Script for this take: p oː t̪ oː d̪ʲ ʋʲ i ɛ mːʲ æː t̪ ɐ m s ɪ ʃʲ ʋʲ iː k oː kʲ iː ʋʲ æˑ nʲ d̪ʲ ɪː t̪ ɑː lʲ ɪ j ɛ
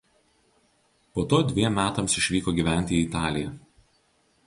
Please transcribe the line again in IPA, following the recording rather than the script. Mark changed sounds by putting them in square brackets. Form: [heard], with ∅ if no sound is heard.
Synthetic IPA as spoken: p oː t̪ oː d̪ʲ ʋʲ i ɛ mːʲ æː t̪ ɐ m s ɪ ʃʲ ʋʲ iː k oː [ɡʲ] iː ʋʲ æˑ nʲ [t̪ʲ] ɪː t̪ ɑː lʲ ɪ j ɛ

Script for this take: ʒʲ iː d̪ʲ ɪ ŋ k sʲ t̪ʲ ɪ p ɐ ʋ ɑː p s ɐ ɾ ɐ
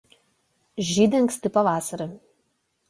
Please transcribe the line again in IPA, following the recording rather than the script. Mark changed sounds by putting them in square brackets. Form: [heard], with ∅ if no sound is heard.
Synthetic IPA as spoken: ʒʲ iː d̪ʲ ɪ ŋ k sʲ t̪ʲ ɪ p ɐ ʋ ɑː [∅] s ɐ ɾ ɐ

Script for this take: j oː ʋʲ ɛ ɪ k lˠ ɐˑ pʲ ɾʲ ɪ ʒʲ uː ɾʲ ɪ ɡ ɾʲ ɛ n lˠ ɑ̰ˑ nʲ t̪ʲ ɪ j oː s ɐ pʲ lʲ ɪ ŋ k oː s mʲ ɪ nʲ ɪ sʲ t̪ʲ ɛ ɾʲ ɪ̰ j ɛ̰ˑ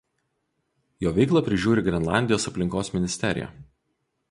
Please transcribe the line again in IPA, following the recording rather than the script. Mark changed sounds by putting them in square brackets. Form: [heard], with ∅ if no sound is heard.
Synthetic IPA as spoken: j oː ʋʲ ɛ ɪ k lˠ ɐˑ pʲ ɾʲ ɪ ʒʲ uː ɾʲ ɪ ɡ ɾʲ ɛ n lˠ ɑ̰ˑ nʲ [d̪ʲ] ɪ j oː s ɐ pʲ lʲ ɪ ŋ k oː s mʲ ɪ nʲ ɪ sʲ t̪ʲ ɛ ɾʲ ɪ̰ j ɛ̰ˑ

